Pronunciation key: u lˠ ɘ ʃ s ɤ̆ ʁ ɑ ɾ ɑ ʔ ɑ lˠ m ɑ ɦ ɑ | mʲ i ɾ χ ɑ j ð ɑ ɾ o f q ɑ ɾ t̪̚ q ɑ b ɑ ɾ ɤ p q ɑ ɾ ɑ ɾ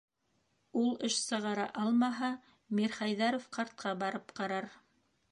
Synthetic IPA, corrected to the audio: u lˠ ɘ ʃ s ɤ̆ ʁ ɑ ɾ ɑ ʔ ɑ lˠ m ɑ ɦ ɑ | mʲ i ɾ χ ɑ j ð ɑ ɾ o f q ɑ ɾ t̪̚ q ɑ b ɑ ɾ ɤ p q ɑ ɾ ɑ ɾ